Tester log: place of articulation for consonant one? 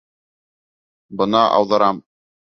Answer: labial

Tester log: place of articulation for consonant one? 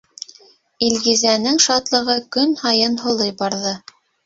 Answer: alveolar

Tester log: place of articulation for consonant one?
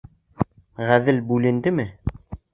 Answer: uvular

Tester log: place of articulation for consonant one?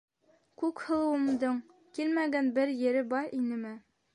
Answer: velar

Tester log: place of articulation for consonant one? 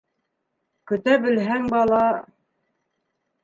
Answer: velar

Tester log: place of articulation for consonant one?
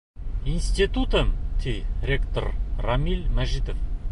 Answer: alveolar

